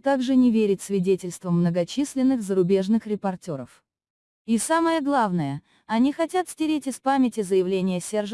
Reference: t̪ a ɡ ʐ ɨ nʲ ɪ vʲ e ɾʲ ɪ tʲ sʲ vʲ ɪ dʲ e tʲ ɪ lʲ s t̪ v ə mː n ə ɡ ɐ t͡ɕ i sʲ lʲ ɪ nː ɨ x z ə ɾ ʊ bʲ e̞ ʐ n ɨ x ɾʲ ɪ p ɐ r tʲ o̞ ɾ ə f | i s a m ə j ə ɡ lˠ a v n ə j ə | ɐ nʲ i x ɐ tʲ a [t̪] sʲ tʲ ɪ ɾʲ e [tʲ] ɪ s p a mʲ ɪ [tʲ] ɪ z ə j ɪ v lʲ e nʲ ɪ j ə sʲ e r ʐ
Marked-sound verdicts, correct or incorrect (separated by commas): correct, correct, correct